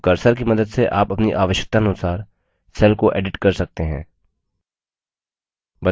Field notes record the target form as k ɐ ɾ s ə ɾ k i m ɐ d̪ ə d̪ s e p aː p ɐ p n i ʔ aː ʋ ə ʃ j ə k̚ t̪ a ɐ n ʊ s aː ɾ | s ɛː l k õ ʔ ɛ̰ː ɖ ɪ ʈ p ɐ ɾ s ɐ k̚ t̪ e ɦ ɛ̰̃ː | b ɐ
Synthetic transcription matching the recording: k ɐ ɾ s ə ɾ k i m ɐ d̪ ə d̪ s e ʔ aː p ɐ p n i ʔ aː ʋ ə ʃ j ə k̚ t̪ a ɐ n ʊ s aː ɾ | s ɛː l k o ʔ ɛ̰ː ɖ ɪ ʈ k ɐ ɾ s ɐ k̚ t̪ e ɦ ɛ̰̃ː | b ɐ